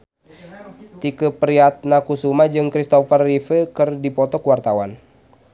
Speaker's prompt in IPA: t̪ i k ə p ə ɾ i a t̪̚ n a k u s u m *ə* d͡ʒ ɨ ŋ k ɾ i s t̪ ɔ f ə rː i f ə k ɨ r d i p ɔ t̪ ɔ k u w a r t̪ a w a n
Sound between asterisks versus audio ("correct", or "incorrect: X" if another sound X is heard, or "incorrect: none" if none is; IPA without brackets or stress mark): incorrect: a